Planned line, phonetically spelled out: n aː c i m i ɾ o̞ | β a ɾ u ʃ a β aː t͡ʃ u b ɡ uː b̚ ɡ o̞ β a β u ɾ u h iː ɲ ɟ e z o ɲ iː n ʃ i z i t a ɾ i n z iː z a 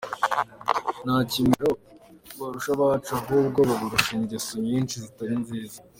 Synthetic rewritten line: n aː c i m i ɾ o̞ | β a ɾ u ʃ a β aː t͡ʃ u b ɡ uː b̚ ɡ o̞ β a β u ɾ u ʃ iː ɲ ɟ e s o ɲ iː n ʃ i z i t a ɾ i n z iː z a